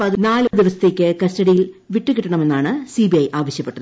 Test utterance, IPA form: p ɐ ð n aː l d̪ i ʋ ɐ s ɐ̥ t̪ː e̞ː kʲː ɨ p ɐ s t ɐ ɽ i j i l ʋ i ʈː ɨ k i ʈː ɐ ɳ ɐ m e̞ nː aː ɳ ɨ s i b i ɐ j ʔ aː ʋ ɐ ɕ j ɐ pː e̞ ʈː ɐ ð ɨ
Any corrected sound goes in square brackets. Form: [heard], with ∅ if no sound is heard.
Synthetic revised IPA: p ɐ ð n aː l d̪ i ʋ ɐ s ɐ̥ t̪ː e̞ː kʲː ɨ [k] ɐ s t ɐ ɽ i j i l ʋ i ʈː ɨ k i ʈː ɐ ɳ ɐ m e̞ nː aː ɳ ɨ s i b i ɐ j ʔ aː ʋ ɐ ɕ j ɐ pː e̞ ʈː ɐ ð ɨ